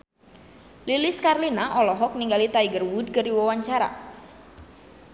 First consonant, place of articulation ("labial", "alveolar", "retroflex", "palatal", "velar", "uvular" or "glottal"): alveolar